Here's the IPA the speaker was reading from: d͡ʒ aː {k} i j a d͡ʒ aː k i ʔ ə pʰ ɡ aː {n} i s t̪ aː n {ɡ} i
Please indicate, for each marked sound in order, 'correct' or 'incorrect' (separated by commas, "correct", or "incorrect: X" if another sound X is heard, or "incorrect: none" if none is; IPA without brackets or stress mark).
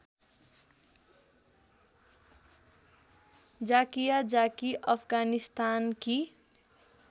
correct, correct, incorrect: k